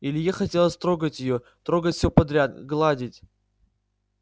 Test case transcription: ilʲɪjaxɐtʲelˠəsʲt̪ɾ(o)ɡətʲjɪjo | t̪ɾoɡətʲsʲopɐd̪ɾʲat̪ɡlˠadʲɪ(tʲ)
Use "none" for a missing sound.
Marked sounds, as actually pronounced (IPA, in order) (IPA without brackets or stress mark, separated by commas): o, tʲ